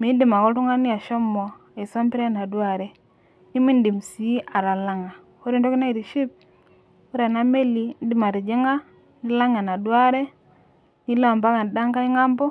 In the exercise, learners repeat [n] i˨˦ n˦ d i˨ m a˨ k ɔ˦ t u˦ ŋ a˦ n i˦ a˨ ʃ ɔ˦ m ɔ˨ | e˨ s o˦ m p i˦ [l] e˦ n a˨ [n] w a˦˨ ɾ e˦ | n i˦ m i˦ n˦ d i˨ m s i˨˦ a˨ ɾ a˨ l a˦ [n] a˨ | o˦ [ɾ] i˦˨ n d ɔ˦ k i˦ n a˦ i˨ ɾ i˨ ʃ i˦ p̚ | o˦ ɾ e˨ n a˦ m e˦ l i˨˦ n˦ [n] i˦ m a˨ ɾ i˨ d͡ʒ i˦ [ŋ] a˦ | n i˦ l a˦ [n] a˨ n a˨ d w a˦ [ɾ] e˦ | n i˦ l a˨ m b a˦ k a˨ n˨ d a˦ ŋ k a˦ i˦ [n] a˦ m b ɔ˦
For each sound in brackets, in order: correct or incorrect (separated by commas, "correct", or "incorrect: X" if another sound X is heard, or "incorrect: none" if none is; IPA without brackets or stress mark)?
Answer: incorrect: m, incorrect: ɾ, incorrect: d, incorrect: ŋ, correct, incorrect: d, correct, incorrect: ŋ, correct, incorrect: ŋ